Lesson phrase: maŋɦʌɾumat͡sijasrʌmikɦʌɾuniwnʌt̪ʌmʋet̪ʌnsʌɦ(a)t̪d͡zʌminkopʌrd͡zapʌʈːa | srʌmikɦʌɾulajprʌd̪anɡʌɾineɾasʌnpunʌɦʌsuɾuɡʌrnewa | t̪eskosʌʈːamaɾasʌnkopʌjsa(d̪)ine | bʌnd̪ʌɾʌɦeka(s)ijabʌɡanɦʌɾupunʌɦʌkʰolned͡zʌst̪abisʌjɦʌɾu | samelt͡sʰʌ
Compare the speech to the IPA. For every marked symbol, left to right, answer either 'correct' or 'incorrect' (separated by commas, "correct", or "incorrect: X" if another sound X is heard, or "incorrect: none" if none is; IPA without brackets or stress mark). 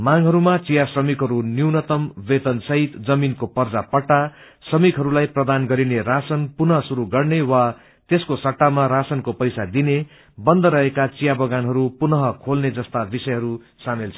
incorrect: i, correct, incorrect: t͡s